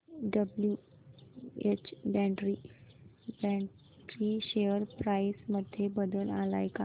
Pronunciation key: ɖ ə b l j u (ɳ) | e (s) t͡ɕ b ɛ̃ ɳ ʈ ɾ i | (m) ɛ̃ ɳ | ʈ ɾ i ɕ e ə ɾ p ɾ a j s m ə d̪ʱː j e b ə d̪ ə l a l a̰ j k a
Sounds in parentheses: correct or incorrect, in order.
incorrect: none, incorrect: none, incorrect: b

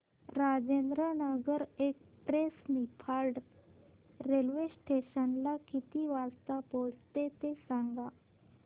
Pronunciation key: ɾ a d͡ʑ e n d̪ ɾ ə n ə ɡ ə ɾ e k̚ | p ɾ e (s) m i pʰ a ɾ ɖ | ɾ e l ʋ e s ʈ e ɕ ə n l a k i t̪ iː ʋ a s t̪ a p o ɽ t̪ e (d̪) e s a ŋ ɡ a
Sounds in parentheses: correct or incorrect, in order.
correct, incorrect: t̪

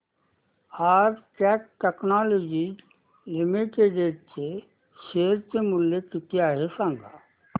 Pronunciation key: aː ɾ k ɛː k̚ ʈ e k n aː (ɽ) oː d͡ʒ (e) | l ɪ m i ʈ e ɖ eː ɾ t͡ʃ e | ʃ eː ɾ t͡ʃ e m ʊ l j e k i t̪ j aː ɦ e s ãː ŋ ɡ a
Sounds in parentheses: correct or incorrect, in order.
incorrect: l, incorrect: i

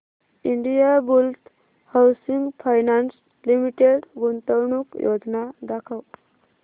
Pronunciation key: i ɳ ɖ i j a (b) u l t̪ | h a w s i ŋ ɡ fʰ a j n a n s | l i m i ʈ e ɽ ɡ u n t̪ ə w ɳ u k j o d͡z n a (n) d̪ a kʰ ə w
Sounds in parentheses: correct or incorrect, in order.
correct, incorrect: none

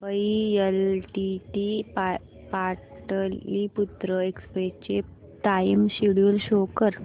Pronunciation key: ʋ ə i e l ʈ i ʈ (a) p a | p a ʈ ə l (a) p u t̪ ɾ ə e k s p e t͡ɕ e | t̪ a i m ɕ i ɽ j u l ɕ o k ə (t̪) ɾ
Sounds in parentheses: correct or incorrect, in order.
incorrect: i, incorrect: i, incorrect: none

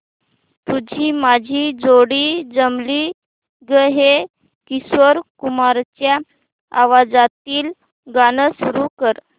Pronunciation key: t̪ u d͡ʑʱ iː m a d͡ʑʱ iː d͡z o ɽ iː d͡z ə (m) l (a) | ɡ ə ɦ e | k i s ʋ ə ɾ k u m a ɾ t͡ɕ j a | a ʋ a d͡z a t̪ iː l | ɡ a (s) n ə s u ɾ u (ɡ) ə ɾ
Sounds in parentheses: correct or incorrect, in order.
correct, incorrect: i, incorrect: none, incorrect: k

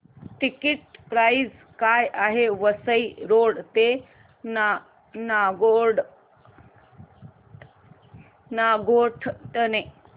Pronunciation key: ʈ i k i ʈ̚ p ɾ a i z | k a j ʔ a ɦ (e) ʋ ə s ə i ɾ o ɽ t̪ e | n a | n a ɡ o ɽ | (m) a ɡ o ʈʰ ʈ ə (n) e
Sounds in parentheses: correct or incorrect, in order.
correct, incorrect: n, correct

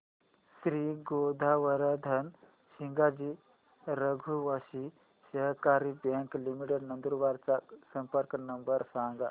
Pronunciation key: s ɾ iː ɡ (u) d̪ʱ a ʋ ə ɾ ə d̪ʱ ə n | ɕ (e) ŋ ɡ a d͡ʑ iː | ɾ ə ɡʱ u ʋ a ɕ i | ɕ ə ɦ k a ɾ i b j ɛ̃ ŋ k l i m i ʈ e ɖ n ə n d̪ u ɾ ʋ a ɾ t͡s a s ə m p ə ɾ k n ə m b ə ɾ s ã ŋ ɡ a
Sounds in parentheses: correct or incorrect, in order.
incorrect: o, incorrect: i

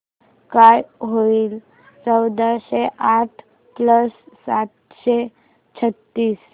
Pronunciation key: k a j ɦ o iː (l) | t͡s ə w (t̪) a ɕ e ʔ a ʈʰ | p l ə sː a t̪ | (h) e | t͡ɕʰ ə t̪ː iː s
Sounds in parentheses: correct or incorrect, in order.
correct, incorrect: d̪, incorrect: ɕ

